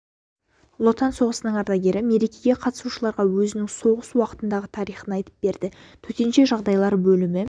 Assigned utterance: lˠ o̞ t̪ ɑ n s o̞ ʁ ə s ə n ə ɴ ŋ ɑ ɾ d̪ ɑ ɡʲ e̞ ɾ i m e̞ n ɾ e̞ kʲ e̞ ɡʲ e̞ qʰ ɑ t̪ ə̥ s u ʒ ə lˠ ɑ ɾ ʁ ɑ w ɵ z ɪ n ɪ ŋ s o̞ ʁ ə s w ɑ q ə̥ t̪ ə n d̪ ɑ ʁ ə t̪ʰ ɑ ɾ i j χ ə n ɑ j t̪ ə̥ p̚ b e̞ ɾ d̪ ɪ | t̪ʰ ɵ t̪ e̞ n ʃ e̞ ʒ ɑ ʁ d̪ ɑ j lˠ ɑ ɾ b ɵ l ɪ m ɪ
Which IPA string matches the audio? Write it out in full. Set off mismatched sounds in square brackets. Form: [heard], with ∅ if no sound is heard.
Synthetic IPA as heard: lˠ o̞ t̪ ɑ n s o̞ ʁ ə s ə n ə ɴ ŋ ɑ ɾ d̪ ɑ ɡʲ e̞ ɾ [ɪ] m e̞ [∅] ɾ e̞ kʲ e̞ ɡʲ e̞ qʰ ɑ t̪ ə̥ s u [ʃ] ə lˠ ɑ ɾ ʁ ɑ w ɵ z ɪ n ɪ ŋ s o̞ ʁ ə s w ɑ q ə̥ t̪ ə n d̪ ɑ ʁ ə t̪ʰ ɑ ɾ i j χ ə n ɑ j t̪ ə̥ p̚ b e̞ ɾ d̪ ɪ | t̪ʰ ɵ t̪ e̞ n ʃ e̞ ʒ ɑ ʁ d̪ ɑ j lˠ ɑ ɾ b ɵ l ɪ m ɪ